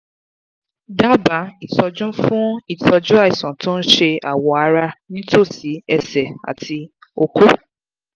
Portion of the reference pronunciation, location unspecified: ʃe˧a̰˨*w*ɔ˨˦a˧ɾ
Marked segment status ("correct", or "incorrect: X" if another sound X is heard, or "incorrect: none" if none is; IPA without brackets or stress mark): correct